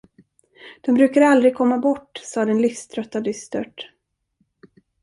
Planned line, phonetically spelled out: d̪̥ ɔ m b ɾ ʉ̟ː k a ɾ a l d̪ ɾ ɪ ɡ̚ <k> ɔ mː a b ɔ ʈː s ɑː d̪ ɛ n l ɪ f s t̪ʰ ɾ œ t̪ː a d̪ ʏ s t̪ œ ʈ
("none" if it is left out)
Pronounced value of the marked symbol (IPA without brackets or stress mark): kʰ